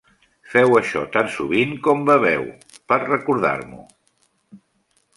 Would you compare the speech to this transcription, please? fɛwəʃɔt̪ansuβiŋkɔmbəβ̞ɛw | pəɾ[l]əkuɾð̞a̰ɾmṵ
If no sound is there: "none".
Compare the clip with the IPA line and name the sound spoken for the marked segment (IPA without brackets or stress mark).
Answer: r